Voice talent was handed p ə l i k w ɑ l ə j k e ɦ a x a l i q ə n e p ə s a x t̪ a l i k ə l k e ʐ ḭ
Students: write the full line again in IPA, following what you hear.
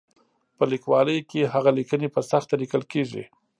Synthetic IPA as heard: p ə l i k w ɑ l ə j k e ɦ a ɣ a l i k ə n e p ə s a x t̪ a l i k ə l k e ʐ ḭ